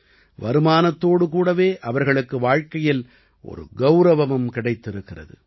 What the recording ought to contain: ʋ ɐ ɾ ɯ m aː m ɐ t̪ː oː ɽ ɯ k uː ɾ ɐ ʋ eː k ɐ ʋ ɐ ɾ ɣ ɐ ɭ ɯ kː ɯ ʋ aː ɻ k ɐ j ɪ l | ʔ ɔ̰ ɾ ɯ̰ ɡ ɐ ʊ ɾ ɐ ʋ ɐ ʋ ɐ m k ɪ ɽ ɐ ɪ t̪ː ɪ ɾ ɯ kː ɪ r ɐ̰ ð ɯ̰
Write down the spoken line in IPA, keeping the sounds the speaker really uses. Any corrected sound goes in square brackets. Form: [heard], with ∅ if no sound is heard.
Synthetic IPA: ʋ ɐ ɾ ɯ m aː [n] ɐ t̪ː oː ɽ ɯ k uː [ɽ] ɐ ʋ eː [ʔ] ɐ ʋ ɐ ɾ ɣ ɐ ɭ ɯ kː ɯ ʋ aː ɻ k ɐ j ɪ l | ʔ ɔ̰ ɾ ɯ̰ ɡ ɐ ʊ ɾ ɐ ʋ ɐ ʋ ɐ m k ɪ ɽ ɐ ɪ t̪ː ɪ ɾ ɯ kː ɪ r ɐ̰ ð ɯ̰

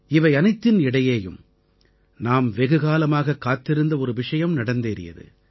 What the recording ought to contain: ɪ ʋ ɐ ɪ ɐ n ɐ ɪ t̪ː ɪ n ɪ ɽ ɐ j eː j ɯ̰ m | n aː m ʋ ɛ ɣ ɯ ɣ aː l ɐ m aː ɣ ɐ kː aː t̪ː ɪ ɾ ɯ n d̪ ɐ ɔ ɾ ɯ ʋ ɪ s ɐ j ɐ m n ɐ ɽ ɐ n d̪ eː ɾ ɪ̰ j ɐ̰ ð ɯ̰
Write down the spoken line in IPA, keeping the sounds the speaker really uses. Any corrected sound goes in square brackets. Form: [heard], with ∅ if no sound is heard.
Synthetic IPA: ɪ ʋ ɐ ɪ ɐ n ɐ ɪ t̪ː ɪ n ɪ ɽ ɐ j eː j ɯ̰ m | n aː m ʋ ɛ ɣ ɯ ɣ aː l ɐ m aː ɣ ɐ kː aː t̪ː ɪ ɾ ɯ n d̪ ɐ ɔ ɾ ɯ ʋ ɪ [ʂ] ɐ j ɐ m n ɐ ɽ ɐ n d̪ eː ɾ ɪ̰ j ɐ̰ ð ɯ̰

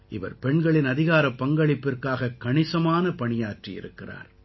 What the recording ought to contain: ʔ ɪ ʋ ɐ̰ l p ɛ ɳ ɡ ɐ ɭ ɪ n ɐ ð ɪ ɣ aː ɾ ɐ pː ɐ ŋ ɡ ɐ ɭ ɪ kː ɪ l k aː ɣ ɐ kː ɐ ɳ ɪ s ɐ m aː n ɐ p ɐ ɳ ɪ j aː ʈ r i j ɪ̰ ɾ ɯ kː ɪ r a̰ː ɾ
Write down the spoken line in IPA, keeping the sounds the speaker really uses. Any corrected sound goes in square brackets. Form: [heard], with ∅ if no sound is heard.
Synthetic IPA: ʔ ɪ ʋ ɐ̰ [ɾ] p ɛ ɳ ɡ ɐ ɭ ɪ n ɐ ð ɪ ɣ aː ɾ ɐ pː ɐ ŋ ɡ ɐ ɭ ɪ [pː] ɪ [r] k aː ɣ ɐ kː ɐ ɳ ɪ s ɐ m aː n ɐ p ɐ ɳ ɪ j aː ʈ r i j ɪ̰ ɾ ɯ kː ɪ r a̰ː ɾ

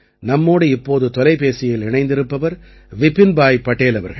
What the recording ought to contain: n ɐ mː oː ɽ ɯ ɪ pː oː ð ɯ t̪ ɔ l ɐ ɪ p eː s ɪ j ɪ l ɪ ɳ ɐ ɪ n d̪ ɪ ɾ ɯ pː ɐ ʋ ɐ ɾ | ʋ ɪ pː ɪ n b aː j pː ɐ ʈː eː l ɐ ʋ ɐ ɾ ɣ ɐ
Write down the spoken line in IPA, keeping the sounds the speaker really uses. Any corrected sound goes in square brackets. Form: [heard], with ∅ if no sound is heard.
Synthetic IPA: n ɐ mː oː ɽ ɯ ɪ pː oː ð ɯ t̪ ɔ l ɐ ɪ p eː s ɪ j ɪ l ɪ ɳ ɐ ɪ n d̪ ɪ ɾ ɯ pː ɐ ʋ ɐ ɾ | ʋ ɪ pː ɪ n b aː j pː ɐ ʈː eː l ɐ ʋ ɐ ɾ ɣ ɐ

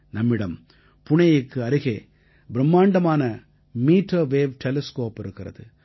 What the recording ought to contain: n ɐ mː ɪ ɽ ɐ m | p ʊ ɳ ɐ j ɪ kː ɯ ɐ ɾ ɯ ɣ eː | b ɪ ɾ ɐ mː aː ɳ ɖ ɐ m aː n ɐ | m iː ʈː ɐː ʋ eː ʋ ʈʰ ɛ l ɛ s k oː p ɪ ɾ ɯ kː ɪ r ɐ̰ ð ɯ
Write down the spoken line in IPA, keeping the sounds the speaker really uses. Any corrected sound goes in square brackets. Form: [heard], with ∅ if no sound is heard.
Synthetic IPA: n ɐ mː ɪ ɽ ɐ m | p ʊ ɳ ɐ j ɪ kː ɯ ɐ ɾ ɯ ɣ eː | b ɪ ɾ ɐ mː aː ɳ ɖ ɐ m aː n ɐ | m iː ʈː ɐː ʋ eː ʋ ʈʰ ɛ l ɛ s k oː p ɪ ɾ ɯ kː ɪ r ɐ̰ ð ɯ

